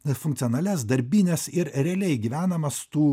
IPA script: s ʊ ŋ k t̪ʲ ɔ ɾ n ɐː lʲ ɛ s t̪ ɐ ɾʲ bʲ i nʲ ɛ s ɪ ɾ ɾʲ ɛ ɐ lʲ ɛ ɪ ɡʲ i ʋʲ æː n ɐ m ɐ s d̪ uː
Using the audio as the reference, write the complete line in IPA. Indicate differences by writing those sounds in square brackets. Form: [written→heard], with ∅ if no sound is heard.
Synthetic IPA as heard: [s→f] ʊ ŋ k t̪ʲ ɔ [ɾ→∅] n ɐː lʲ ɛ s [t̪→d̪] ɐ ɾʲ bʲ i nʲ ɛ s ɪ ɾ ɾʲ ɛ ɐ lʲ ɛ ɪ ɡʲ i ʋʲ æː n ɐ m ɐ s [d̪→t̪] uː